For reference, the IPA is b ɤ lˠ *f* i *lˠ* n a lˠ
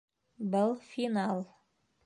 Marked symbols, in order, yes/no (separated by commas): yes, no